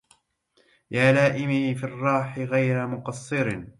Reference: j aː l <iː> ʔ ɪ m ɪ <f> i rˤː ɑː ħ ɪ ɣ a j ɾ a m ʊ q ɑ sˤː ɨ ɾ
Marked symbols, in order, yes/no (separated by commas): no, yes